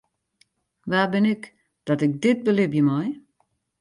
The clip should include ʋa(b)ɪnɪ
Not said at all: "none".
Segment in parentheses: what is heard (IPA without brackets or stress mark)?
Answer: b